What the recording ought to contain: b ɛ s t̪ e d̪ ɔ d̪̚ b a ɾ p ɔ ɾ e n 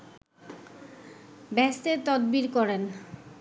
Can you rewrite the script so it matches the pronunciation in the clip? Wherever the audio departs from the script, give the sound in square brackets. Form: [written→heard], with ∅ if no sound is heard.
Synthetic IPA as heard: b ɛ s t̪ e [d̪→t̪] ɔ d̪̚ b [a→i] ɾ [p→k] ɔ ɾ e n